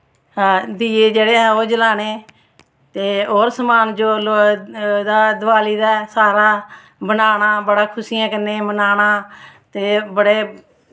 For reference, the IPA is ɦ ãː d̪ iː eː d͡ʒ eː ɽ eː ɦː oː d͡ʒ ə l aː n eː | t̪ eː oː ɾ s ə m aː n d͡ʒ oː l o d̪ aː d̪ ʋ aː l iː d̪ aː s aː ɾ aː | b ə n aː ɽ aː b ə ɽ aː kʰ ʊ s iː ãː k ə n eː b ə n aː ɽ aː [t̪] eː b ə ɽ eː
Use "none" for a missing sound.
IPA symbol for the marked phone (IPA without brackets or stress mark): t̪